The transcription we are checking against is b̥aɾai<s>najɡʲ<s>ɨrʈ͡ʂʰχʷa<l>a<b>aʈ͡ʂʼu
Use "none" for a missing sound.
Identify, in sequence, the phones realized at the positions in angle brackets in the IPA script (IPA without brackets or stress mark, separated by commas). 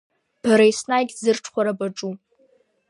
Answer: s, z, ɾ, b